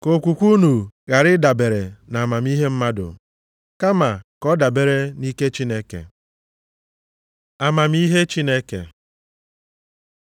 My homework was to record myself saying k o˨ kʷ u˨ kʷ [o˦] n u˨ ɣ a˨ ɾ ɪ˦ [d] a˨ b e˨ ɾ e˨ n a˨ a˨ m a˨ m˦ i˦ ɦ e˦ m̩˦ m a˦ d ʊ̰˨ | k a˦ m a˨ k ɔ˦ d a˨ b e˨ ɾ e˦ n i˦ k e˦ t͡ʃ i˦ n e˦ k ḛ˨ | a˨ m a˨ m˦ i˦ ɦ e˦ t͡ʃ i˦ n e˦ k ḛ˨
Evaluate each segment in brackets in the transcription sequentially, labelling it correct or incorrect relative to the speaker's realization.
incorrect, correct

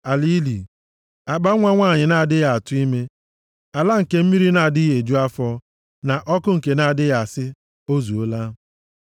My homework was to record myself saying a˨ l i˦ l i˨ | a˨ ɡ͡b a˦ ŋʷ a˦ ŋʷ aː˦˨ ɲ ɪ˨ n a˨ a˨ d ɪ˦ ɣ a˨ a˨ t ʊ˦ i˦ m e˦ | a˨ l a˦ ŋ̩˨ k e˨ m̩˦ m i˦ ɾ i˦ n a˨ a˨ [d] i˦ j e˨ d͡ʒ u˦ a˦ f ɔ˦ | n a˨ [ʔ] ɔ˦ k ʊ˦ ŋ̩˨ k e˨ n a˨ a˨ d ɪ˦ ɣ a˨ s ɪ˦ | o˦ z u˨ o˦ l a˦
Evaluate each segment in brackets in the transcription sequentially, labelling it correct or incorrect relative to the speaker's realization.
correct, correct

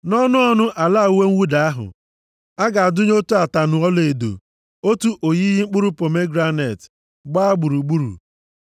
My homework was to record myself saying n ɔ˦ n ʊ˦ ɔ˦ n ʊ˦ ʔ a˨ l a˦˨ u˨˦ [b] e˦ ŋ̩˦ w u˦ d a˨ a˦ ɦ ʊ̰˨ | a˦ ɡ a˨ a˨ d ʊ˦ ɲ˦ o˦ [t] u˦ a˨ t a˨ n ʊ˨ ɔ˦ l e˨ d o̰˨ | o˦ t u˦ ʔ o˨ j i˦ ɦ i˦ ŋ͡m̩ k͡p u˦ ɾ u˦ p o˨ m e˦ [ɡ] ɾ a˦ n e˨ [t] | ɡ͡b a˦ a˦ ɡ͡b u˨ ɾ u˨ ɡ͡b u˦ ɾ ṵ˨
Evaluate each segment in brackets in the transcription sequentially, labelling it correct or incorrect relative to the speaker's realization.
incorrect, correct, correct, correct

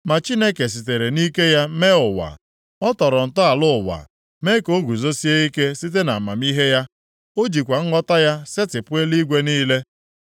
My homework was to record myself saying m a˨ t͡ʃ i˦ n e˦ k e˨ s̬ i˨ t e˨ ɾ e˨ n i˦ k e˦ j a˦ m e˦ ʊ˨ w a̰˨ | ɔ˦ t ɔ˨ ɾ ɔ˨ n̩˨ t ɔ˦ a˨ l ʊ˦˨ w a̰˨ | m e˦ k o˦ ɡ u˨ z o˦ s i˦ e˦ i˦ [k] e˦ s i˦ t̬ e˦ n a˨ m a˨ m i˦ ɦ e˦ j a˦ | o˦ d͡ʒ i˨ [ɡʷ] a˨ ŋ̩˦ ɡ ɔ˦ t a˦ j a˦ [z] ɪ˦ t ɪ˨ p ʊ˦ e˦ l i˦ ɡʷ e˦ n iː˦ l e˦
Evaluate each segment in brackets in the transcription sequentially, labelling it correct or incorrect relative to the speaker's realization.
correct, incorrect, incorrect

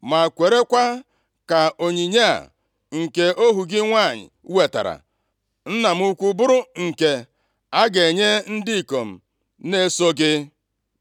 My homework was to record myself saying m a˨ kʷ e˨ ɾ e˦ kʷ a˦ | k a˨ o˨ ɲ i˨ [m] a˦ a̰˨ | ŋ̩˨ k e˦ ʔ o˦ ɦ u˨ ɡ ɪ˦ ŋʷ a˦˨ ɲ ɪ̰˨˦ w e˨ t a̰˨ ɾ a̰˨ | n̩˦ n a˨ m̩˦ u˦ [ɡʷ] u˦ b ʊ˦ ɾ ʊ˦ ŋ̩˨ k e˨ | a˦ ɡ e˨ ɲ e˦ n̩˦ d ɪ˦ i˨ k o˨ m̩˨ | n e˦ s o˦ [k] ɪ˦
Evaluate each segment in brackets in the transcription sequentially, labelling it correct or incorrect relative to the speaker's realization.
incorrect, incorrect, incorrect

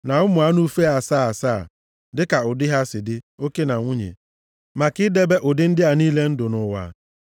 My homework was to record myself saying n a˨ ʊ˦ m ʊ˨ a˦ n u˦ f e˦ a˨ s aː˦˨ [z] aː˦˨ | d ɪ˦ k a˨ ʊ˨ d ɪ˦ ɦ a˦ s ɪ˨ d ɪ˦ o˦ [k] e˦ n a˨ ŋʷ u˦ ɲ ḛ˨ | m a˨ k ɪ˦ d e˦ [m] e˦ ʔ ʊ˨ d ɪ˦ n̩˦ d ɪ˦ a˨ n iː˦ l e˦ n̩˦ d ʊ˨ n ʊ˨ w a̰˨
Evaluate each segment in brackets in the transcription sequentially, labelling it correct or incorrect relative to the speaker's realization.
incorrect, correct, incorrect

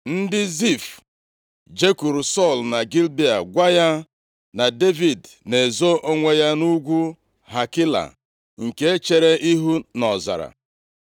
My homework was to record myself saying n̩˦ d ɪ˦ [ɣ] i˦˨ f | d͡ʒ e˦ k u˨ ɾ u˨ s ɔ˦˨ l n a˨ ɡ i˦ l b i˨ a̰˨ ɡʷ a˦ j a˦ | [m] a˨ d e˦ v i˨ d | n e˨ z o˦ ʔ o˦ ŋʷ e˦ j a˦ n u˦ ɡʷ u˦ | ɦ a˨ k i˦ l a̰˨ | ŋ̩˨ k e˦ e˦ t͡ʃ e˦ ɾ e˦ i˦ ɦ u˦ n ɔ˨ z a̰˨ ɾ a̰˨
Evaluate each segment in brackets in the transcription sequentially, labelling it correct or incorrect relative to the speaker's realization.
incorrect, incorrect

